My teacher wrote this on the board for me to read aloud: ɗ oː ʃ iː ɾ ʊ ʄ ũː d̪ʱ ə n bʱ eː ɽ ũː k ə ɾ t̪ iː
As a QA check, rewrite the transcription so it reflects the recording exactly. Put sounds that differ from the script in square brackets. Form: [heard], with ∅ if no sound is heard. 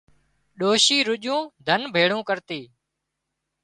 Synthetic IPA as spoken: ɗ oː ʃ iː ɾ ʊ ʄ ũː d̪ʱ ə n bʱ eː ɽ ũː k ə ɾ t̪ iː